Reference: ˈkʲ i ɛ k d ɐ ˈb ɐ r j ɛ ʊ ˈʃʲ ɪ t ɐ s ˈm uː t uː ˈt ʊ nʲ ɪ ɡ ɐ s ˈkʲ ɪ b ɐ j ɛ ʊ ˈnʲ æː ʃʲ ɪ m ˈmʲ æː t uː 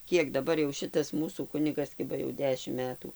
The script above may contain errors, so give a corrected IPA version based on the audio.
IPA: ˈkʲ i ɛ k d ɐ ˈb ɐ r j ɛ ʊ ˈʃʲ ɪ t ɐ s ˈm uː s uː ˈk ʊ nʲ ɪ ɡ ɐ s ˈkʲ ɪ b ɐ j ɛ ʊ ˈdʲ æː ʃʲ ɪ m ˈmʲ æː t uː

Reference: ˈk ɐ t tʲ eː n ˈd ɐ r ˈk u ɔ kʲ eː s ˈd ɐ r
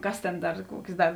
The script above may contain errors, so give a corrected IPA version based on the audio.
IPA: ˈk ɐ s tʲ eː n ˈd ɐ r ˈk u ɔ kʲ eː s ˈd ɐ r

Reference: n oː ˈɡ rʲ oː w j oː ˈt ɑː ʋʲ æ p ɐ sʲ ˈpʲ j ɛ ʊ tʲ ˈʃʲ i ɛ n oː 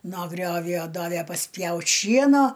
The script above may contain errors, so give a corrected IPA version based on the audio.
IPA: n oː ˈɡ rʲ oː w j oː ˈd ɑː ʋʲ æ p ɐ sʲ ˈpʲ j ɛ ʊ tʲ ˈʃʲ i ɛ n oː

